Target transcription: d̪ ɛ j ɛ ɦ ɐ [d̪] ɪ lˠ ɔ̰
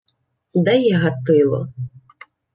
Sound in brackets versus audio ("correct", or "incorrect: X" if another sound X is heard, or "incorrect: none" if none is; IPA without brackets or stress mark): incorrect: t̪